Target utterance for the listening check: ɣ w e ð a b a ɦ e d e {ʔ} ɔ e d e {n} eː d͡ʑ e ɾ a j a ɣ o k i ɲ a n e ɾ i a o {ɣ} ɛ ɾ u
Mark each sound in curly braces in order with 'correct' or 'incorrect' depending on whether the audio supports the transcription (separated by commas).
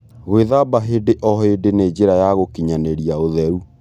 correct, correct, incorrect